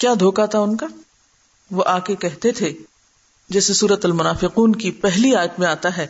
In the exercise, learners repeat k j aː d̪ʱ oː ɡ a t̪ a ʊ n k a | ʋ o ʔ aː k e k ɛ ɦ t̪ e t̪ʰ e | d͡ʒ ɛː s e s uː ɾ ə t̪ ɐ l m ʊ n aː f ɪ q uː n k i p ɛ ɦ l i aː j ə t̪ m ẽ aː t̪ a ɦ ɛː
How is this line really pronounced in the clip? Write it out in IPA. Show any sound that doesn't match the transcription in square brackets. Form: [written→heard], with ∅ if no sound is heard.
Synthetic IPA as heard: k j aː d̪ʱ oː [ɡ→k] a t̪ a ʊ n k a | ʋ o ʔ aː k e k ɛ ɦ t̪ e t̪ʰ e | d͡ʒ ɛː s e s uː ɾ ə t̪ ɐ l m ʊ n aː f ɪ q uː n k i p ɛ ɦ l i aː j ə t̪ m ẽ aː t̪ a ɦ ɛː